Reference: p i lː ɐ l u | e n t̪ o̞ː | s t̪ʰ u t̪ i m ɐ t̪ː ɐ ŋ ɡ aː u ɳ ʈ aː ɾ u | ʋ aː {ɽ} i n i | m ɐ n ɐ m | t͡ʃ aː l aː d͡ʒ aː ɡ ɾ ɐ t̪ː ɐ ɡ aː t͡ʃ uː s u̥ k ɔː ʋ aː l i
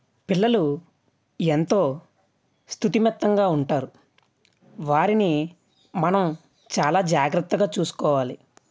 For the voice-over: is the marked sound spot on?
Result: no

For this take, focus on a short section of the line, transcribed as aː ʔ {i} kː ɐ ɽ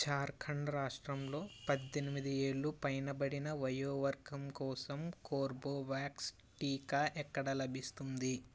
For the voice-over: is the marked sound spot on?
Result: no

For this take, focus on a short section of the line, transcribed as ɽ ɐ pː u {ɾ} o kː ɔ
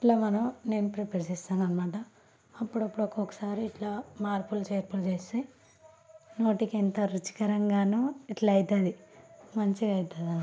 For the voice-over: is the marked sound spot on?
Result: no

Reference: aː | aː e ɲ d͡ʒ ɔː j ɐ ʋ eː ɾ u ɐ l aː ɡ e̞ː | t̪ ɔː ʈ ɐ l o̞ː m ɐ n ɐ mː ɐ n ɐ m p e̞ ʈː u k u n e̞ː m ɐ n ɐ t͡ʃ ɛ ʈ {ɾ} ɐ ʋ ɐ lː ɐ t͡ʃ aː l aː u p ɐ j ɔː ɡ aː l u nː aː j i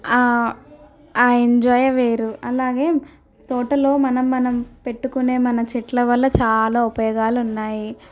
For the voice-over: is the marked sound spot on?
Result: no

